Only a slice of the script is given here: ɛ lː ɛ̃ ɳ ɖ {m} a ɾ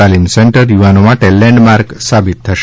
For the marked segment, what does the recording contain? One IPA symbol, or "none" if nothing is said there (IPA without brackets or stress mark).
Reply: m